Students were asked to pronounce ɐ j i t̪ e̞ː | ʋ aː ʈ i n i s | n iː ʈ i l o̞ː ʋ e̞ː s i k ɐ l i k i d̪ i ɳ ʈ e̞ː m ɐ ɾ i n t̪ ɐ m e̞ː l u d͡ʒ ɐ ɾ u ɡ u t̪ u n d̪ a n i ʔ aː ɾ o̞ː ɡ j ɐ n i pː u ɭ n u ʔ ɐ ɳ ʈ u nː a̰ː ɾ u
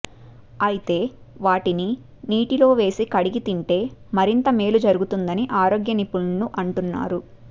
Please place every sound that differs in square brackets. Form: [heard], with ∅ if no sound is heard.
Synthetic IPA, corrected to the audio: ɐ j i t̪ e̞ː | ʋ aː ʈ i n i [∅] | n iː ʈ i l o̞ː ʋ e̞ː s i k ɐ [ɽ] i [ɡ] i [t̪] i ɳ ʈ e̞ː m ɐ ɾ i n t̪ ɐ m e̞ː l u d͡ʒ ɐ ɾ u ɡ u t̪ u n d̪ [ɐ] n i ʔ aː ɾ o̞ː ɡ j ɐ n i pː u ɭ n u ʔ ɐ ɳ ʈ u nː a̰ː ɾ u